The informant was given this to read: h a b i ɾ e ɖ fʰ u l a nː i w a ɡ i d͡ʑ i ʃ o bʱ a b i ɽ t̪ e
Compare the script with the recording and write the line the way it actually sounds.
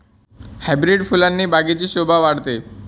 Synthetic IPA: h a b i ɾ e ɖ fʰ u l a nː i b a ɡ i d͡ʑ i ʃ o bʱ a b a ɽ t̪ e